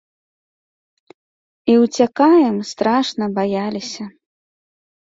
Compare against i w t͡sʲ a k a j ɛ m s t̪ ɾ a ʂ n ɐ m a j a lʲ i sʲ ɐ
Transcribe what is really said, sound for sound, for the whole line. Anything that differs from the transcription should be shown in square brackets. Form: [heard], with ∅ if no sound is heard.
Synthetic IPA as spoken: i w t͡sʲ a k a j ɛ m s t̪ ɾ a ʂ n ɐ [b] a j a lʲ i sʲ ɐ